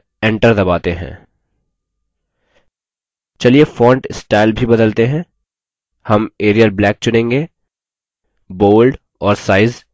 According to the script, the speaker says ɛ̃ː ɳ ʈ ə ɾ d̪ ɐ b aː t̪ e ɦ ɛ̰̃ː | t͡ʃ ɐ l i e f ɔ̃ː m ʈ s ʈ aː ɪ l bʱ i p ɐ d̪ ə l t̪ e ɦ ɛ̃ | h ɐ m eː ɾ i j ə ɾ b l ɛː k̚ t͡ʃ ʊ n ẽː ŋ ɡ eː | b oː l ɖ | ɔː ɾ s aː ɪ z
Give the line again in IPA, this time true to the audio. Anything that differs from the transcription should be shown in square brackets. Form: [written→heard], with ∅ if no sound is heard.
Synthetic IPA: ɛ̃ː ɳ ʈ ə ɾ d̪ ɐ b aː t̪ e ɦ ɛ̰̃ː | t͡ʃ ɐ l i e f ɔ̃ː [m→ɳ] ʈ s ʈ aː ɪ l bʱ i [p→b] ɐ d̪ ə l t̪ e ɦ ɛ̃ | h ɐ m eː ɾ i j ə [ɾ→l] b l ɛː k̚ t͡ʃ ʊ n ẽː ŋ ɡ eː | b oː l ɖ | ɔː ɾ s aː ɪ z